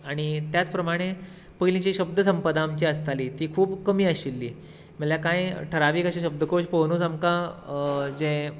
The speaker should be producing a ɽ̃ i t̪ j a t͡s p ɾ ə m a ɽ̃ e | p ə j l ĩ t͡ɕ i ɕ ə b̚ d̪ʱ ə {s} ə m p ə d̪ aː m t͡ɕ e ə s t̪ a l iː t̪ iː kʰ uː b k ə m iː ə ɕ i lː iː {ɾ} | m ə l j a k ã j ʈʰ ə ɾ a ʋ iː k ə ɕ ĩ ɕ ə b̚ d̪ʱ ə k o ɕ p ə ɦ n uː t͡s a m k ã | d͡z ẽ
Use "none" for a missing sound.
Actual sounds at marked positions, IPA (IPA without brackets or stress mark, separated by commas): s, none